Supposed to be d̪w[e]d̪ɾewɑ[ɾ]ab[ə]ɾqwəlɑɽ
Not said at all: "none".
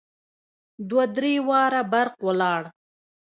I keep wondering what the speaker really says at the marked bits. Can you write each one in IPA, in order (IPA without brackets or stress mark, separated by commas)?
a, ɾ, a